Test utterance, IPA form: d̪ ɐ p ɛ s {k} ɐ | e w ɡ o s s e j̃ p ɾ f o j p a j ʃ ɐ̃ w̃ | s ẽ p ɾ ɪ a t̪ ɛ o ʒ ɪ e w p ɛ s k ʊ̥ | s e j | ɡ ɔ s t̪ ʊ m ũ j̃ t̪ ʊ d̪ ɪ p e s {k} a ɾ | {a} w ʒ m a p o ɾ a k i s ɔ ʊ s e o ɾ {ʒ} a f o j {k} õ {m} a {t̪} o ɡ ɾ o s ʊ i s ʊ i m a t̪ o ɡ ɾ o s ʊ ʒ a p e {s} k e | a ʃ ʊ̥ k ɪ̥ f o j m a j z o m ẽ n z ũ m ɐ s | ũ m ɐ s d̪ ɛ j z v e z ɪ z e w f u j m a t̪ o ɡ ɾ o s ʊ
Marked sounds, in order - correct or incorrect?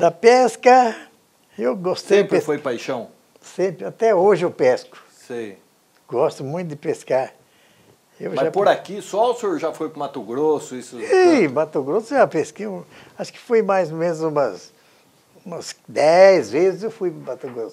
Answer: correct, correct, incorrect: e, correct, correct, correct, correct, correct

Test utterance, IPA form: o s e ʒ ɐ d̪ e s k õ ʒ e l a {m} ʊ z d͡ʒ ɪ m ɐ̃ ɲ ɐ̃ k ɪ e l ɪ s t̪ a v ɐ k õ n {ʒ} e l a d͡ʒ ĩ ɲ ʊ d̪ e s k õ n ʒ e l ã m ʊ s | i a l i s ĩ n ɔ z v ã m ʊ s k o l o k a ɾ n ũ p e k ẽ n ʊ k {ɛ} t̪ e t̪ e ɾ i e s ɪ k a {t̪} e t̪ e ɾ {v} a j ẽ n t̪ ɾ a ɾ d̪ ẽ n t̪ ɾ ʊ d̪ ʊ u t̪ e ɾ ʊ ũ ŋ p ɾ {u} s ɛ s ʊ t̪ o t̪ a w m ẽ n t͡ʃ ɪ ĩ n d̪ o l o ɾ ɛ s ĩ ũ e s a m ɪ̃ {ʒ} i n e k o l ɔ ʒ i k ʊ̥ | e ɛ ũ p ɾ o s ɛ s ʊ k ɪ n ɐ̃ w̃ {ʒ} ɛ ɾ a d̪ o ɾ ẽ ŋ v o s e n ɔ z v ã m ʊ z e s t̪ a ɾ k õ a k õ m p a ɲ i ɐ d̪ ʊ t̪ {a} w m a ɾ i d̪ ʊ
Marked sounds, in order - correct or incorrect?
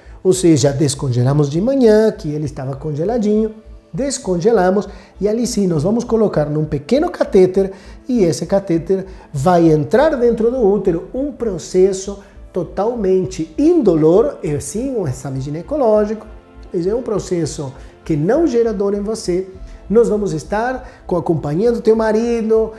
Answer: correct, correct, incorrect: a, correct, correct, incorrect: o, correct, correct, incorrect: e

